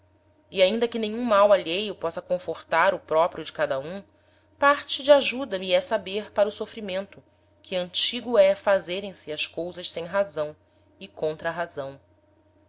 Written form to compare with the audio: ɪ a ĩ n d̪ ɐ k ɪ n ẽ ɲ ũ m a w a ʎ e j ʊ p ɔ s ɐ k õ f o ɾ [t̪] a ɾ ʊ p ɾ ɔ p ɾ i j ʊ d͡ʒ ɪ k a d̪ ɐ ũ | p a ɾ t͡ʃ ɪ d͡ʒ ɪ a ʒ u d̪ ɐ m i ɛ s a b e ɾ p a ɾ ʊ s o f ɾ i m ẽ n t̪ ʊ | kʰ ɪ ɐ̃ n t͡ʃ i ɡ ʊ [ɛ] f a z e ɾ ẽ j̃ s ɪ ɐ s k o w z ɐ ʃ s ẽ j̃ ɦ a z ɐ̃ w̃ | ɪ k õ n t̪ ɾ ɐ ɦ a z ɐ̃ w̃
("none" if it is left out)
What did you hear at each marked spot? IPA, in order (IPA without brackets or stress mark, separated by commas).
t̪, ɛ